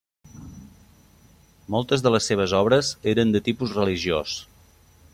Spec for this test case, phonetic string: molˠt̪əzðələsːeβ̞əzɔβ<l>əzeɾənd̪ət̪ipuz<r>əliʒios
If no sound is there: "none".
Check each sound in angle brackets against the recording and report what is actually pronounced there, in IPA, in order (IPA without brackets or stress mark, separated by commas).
ɾ, r